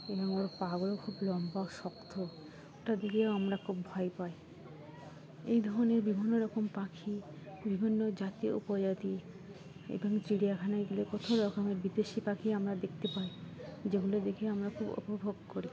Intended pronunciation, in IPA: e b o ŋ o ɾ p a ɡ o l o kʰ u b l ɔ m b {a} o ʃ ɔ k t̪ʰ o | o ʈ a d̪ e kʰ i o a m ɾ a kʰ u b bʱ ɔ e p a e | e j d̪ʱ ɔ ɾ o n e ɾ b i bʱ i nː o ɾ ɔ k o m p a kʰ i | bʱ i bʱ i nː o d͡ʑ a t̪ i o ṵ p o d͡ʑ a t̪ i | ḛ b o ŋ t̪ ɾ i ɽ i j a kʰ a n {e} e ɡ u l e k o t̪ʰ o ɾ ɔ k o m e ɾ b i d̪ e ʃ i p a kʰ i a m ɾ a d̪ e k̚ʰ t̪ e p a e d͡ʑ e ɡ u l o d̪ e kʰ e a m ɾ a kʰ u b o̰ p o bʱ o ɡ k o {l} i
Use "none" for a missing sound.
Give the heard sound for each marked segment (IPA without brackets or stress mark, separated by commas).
a, a, ɾ